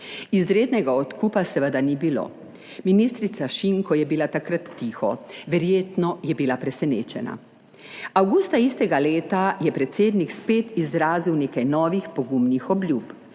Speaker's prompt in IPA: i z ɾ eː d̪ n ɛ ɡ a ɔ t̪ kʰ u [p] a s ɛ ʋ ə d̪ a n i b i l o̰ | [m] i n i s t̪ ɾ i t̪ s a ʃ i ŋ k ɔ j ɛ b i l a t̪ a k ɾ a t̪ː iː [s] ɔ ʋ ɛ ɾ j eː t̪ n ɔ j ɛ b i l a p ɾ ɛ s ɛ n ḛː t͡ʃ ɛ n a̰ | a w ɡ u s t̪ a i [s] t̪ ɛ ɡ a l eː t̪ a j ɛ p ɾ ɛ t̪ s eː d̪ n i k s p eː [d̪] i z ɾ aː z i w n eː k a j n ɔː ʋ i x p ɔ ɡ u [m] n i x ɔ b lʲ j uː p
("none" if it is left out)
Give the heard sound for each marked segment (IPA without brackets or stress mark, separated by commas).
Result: p, m, x, s, t̪, m